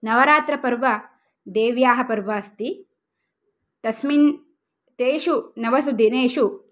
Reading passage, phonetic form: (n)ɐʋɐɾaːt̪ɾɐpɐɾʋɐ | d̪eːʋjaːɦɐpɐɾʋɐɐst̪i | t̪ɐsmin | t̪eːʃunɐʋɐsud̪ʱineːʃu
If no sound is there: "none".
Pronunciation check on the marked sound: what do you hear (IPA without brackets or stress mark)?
n